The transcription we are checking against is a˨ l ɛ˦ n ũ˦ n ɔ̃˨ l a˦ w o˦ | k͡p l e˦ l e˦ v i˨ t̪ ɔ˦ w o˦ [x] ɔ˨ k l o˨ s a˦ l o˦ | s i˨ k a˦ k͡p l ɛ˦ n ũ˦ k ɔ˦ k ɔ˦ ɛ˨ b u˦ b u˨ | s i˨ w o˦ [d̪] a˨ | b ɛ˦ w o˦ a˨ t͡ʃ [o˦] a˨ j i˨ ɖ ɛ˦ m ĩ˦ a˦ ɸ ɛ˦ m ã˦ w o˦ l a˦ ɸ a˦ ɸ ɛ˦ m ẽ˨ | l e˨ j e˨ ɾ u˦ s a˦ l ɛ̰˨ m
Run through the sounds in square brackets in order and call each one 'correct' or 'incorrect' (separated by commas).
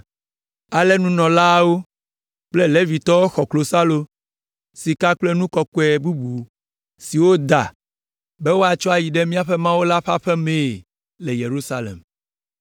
correct, correct, incorrect